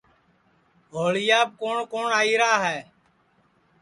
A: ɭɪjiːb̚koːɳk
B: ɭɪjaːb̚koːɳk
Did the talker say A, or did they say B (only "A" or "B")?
B